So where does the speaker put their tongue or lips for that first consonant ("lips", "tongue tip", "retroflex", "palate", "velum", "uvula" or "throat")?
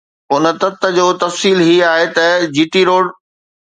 tongue tip